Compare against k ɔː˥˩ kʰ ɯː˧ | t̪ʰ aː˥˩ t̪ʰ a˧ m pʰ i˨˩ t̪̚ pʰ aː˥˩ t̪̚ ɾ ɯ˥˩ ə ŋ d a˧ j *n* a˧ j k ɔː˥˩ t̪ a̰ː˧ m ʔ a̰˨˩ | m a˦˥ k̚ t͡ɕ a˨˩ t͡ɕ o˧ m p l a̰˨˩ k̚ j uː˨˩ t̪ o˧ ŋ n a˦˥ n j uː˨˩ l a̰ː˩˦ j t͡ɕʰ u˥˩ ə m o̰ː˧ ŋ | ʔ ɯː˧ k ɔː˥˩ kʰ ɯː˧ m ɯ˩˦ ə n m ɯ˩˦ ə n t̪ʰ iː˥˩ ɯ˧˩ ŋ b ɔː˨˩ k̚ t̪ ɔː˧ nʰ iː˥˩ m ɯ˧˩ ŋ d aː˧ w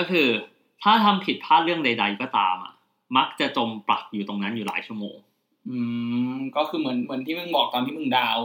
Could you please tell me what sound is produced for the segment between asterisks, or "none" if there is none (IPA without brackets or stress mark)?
d